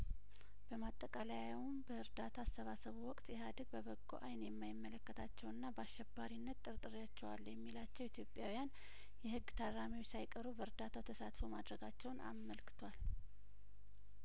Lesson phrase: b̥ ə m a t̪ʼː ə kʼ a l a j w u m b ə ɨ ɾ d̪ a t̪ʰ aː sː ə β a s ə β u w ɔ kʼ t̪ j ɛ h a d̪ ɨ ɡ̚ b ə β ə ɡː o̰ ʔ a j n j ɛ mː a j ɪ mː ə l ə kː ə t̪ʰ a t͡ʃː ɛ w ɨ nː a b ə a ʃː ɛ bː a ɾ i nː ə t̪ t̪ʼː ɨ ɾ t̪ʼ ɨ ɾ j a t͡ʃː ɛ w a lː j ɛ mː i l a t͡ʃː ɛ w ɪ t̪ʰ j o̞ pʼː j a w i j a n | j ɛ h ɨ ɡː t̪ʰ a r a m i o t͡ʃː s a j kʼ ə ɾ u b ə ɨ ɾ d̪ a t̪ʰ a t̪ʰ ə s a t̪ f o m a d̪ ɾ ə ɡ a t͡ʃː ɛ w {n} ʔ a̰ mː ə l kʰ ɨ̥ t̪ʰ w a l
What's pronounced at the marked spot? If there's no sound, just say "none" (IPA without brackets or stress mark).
n